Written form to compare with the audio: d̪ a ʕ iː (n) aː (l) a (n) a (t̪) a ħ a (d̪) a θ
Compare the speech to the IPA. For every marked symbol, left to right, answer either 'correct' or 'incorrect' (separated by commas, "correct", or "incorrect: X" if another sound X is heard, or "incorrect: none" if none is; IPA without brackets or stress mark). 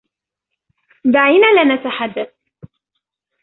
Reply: correct, correct, correct, correct, incorrect: d̪ː